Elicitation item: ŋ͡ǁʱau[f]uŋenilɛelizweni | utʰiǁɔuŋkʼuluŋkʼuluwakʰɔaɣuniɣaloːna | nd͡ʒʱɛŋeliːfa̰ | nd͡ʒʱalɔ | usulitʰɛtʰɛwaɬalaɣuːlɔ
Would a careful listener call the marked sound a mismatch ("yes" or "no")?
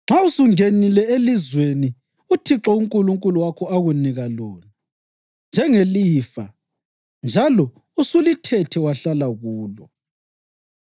yes